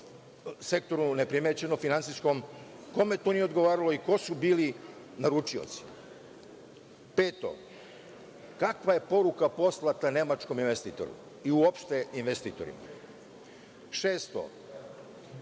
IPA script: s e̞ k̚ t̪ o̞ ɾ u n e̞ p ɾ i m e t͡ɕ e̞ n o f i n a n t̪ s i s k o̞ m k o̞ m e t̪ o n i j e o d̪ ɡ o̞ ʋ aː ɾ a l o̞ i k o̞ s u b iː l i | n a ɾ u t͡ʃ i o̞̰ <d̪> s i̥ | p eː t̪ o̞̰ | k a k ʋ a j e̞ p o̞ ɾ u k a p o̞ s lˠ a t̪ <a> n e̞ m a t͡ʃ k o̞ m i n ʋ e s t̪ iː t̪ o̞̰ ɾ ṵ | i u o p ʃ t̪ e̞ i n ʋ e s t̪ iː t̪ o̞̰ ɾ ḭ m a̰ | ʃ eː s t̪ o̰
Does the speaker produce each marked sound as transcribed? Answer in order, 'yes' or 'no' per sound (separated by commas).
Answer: no, yes